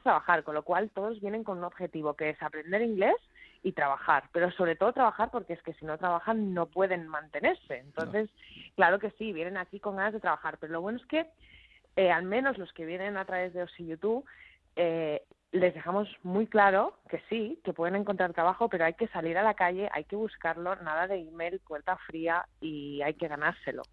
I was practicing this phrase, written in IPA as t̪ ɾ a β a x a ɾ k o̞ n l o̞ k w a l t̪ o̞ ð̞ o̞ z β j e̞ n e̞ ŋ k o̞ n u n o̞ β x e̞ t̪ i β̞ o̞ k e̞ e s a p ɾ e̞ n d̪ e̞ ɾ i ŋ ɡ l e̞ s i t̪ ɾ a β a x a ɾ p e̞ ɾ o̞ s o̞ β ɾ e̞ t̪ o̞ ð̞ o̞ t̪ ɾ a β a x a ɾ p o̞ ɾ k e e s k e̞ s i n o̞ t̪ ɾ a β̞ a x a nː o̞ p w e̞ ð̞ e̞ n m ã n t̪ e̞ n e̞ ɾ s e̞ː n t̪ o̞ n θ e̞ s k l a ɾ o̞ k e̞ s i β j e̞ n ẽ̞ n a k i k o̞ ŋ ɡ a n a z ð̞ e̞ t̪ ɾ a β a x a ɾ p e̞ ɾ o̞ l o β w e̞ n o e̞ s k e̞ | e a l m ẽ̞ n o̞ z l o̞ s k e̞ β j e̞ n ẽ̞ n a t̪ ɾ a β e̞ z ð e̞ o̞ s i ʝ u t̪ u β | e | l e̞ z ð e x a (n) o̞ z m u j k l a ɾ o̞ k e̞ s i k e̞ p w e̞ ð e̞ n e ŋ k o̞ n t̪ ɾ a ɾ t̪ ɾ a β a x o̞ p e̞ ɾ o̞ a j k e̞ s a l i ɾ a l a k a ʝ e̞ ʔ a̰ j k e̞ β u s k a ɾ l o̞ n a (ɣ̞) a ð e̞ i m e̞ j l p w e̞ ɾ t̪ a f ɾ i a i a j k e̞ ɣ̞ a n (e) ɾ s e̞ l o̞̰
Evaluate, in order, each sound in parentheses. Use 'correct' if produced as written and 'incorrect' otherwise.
incorrect: m, incorrect: ð̞, incorrect: a

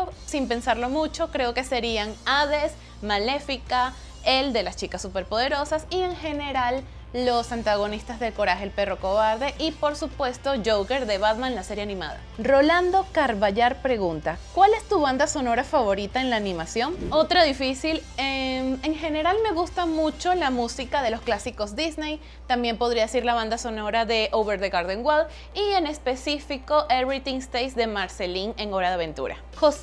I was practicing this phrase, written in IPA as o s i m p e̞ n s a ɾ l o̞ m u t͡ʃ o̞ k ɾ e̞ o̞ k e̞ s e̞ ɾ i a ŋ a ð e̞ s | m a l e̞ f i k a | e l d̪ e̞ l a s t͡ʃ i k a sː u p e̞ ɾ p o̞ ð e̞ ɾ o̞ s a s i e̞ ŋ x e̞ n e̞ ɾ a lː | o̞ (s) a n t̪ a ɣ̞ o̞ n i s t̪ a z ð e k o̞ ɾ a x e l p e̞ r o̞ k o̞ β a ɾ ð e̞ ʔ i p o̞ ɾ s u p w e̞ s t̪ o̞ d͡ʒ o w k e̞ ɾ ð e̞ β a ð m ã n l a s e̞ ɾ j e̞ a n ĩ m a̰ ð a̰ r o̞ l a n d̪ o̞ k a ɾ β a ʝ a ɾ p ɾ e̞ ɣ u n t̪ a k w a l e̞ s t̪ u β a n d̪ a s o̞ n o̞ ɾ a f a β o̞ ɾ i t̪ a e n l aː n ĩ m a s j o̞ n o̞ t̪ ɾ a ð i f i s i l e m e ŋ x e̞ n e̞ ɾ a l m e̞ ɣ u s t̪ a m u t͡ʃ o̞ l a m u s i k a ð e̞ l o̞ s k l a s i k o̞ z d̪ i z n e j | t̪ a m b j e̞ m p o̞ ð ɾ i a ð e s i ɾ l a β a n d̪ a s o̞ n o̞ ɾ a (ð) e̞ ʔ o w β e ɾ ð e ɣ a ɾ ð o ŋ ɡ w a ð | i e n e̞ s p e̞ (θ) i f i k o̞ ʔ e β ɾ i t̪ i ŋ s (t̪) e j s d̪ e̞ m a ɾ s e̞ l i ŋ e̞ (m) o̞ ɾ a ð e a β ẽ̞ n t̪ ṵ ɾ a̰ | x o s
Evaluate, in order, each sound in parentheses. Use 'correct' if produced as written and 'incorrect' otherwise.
correct, correct, incorrect: s, correct, incorrect: ŋ

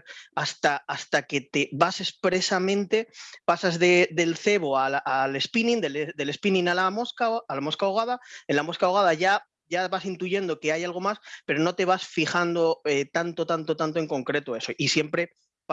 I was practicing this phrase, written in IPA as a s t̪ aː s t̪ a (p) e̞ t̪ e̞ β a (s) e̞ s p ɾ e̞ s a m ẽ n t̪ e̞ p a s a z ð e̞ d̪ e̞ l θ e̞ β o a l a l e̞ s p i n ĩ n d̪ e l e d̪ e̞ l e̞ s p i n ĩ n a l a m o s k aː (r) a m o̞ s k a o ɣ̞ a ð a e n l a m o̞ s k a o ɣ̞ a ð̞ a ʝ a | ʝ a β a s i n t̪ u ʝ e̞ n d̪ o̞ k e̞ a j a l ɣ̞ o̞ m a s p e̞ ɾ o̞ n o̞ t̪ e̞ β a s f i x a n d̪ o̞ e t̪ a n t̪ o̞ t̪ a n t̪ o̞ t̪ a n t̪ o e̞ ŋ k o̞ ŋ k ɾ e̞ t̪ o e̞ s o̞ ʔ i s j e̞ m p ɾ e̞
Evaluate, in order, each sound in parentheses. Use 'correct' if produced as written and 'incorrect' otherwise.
incorrect: k, correct, incorrect: l

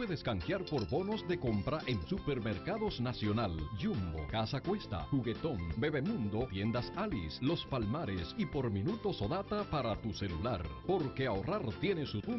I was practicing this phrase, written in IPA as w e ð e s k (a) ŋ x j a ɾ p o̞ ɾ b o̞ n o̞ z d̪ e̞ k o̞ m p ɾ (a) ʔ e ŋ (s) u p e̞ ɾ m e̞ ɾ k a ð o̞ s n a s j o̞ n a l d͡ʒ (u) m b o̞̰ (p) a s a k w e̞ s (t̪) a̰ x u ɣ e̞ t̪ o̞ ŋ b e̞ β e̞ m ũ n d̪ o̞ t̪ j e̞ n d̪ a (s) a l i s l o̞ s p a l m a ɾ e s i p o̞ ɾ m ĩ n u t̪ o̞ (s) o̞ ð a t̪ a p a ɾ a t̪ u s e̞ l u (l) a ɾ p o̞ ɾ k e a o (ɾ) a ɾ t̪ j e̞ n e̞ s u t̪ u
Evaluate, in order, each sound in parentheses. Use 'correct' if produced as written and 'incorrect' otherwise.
correct, correct, correct, correct, incorrect: k, correct, correct, correct, correct, incorrect: r

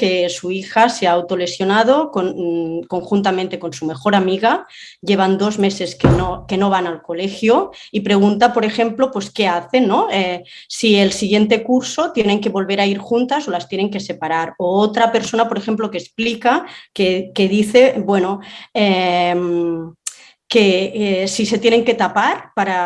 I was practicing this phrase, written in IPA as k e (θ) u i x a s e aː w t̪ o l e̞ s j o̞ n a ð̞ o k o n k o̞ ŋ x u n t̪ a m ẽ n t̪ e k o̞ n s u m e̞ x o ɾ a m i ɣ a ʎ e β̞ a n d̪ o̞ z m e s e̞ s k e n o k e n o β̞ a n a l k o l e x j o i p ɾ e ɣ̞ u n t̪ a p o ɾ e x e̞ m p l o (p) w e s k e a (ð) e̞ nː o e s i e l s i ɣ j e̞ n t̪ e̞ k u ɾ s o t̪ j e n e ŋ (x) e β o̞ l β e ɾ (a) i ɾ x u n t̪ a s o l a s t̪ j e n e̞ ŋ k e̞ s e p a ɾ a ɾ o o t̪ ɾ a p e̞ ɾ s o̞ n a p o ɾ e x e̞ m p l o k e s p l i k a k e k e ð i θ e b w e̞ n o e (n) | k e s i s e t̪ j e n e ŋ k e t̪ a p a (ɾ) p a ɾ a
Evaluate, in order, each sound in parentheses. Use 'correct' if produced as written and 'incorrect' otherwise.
incorrect: s, correct, incorrect: θ, incorrect: k, correct, incorrect: m, correct

